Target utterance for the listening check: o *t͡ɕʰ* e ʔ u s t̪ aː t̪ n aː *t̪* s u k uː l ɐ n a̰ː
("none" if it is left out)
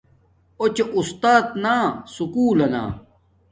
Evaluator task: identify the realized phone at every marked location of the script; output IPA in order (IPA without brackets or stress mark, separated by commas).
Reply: t͡ɕ, none